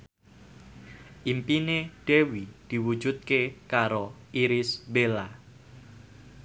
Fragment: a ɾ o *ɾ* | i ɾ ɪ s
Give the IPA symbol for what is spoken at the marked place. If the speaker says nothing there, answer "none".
none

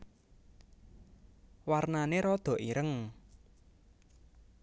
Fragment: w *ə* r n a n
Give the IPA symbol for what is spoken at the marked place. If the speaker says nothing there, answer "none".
a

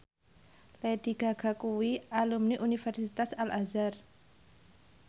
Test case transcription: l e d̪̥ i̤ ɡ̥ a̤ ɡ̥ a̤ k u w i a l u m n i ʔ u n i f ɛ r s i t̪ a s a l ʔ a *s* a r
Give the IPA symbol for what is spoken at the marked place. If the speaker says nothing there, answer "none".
z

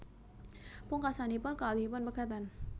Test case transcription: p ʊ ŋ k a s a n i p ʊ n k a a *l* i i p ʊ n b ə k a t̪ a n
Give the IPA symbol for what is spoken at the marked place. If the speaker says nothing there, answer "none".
l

